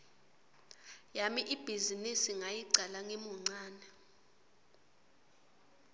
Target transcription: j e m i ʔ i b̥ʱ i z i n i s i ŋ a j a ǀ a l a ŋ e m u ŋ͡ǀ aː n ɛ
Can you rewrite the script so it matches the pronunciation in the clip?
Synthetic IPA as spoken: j a m i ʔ i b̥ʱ i z i n i s i ŋ a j i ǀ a l a ŋ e m u ŋ͡ǀ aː n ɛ